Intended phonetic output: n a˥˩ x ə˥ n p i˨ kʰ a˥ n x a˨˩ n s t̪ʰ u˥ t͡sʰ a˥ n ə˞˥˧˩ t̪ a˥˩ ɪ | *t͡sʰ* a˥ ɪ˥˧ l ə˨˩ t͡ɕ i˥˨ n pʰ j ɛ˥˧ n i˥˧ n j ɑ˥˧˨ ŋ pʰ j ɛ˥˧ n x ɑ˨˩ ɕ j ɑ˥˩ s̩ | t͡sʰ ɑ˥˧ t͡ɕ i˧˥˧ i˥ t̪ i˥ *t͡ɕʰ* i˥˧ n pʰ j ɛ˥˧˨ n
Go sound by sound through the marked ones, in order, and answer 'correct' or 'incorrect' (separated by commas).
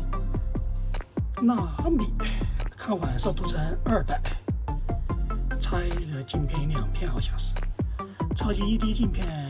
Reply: correct, incorrect